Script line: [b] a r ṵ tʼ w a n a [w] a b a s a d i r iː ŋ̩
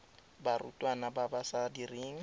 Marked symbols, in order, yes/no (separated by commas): yes, no